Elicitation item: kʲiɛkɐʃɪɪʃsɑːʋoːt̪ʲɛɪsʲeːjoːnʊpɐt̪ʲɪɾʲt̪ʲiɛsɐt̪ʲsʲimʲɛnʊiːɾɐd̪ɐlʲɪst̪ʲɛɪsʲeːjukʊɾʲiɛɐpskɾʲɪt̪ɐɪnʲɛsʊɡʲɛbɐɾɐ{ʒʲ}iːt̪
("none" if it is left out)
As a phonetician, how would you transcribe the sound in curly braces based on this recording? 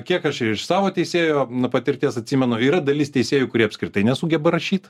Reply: ʃʲ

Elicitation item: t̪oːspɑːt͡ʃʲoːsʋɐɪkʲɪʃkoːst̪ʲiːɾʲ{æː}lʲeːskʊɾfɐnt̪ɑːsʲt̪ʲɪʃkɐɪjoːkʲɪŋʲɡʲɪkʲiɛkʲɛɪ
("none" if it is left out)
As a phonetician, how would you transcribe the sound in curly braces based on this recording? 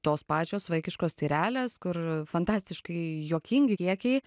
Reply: æː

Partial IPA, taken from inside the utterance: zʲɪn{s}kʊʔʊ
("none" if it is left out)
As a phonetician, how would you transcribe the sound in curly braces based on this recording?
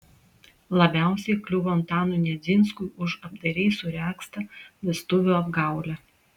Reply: s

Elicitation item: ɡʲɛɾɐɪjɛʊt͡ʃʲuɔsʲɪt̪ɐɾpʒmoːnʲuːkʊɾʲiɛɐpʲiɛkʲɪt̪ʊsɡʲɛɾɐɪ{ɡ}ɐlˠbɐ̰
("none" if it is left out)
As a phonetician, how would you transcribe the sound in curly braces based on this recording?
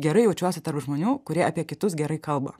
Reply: k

